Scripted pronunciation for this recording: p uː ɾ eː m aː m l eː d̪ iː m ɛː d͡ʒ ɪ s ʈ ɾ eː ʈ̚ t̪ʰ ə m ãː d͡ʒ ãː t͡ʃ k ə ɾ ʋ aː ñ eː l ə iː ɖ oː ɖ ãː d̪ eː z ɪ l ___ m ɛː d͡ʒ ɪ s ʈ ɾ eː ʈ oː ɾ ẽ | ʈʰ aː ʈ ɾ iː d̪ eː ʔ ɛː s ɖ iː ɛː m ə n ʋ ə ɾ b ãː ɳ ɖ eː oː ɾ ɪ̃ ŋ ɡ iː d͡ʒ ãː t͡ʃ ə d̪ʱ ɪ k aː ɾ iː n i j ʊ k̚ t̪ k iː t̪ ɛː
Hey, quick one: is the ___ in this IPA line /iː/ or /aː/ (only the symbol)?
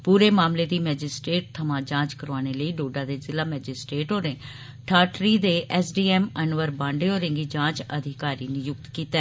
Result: aː